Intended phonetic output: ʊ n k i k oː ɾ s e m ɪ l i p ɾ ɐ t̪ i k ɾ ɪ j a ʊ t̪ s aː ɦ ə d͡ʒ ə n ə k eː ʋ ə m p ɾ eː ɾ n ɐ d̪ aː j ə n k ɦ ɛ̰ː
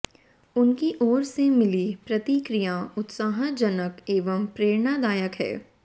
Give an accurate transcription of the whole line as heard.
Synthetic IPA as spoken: ʊ n k i ʔ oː ɾ s e m ɪ l i p ɾ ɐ t̪ i k ɾ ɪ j a ʊ t̪ s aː ɦ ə d͡ʒ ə n ə k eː ʋ ə m p ɾ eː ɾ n a d̪ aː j ə k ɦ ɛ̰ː